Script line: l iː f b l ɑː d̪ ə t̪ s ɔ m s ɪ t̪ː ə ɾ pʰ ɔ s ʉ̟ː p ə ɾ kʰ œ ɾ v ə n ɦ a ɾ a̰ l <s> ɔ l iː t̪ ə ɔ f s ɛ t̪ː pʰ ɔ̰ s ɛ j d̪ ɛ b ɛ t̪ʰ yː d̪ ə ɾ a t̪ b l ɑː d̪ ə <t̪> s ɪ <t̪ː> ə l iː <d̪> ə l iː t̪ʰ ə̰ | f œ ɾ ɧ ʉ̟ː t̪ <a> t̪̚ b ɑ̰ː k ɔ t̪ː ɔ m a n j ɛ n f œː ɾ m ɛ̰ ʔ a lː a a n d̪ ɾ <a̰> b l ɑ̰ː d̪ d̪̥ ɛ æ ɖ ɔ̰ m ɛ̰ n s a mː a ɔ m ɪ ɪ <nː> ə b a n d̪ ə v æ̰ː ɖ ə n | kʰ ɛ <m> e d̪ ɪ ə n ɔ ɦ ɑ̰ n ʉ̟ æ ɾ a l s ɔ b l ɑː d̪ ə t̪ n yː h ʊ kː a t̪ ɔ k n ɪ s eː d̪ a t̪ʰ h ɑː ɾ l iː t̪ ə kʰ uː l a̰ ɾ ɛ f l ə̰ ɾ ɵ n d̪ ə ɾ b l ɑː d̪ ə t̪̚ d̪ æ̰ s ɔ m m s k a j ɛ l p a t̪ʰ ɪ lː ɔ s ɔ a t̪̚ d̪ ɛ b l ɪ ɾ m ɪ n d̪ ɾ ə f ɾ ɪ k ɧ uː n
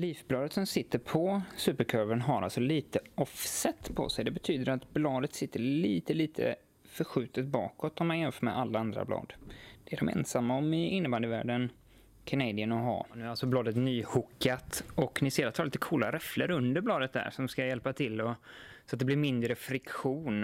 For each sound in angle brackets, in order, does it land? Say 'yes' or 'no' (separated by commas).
yes, yes, yes, no, no, yes, yes, no